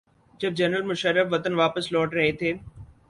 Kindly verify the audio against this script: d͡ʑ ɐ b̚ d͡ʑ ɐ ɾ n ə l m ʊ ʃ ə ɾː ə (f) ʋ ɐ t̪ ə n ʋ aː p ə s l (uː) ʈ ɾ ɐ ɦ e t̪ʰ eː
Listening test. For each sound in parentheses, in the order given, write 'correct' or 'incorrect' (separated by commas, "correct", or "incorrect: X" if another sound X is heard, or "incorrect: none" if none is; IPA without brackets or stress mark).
correct, incorrect: ɔː